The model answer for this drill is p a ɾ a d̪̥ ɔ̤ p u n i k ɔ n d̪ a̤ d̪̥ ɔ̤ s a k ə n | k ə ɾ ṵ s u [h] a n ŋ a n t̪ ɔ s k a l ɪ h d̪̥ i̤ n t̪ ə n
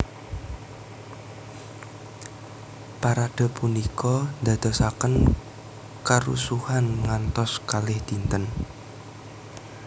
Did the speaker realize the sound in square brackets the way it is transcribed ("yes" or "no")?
yes